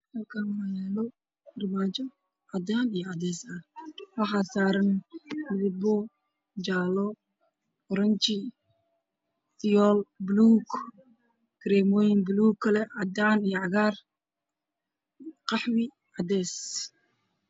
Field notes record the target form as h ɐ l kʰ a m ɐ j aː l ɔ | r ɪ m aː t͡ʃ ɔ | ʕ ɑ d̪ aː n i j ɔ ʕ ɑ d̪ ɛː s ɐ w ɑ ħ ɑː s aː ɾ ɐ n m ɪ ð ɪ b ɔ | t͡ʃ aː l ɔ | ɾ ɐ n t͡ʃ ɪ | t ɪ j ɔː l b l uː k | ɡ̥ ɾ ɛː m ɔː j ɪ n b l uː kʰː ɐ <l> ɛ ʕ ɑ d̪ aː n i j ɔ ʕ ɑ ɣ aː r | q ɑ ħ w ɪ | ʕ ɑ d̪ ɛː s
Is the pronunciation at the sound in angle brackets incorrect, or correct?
correct